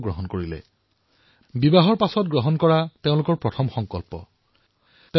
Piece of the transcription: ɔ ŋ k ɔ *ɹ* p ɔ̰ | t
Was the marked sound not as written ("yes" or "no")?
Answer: yes